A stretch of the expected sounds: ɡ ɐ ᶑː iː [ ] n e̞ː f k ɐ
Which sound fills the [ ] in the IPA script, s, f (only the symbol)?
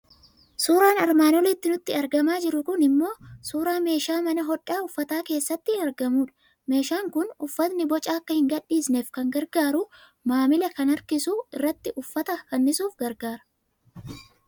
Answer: s